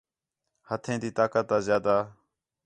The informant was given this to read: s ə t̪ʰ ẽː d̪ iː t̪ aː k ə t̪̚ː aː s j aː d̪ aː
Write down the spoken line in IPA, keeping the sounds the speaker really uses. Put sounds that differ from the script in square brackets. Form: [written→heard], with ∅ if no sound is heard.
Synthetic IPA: [s→h] ə t̪ʰ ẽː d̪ iː t̪ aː k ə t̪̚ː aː [s→z] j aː d̪ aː